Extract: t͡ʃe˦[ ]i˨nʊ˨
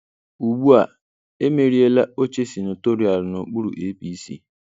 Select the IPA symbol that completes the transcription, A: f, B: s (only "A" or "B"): B